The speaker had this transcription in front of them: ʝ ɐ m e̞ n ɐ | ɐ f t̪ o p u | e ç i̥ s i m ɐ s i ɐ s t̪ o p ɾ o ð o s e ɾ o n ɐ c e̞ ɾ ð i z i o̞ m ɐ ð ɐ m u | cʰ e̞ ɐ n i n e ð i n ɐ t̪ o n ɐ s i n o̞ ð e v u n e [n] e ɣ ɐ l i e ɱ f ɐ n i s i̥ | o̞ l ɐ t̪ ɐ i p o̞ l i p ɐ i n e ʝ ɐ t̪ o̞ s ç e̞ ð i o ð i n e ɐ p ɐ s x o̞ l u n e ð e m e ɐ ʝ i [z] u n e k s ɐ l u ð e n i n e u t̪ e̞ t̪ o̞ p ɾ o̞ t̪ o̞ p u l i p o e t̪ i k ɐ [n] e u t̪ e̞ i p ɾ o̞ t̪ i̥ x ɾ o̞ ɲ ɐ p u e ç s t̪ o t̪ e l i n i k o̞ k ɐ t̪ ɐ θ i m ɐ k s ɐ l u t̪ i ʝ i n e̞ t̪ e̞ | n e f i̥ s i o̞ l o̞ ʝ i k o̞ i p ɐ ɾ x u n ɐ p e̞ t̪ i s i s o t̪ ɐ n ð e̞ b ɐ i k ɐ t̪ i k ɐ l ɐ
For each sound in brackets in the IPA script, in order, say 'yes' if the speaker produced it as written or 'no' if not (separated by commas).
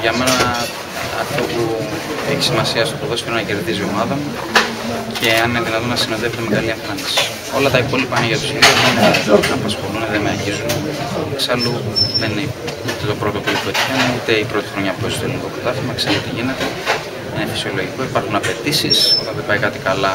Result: no, yes, yes